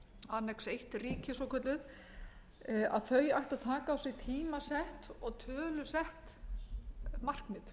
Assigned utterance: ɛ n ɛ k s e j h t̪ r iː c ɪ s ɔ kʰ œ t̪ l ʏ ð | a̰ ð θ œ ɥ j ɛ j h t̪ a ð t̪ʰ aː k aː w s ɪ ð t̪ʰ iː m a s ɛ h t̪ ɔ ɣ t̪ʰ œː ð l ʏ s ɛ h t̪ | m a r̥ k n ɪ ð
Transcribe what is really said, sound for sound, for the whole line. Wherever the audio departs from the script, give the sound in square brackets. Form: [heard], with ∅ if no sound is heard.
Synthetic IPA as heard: [a] n ɛ k s e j h t̪ r iː c ɪ s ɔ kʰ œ t̪ l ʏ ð | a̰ ð θ œ ɥ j [a] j h t̪ a ð t̪ʰ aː k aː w s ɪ [ɣ] t̪ʰ iː m a s ɛ h t̪ ɔ ɣ t̪ʰ œː [∅] l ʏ s ɛ h t̪ | m a r̥ k n ɪ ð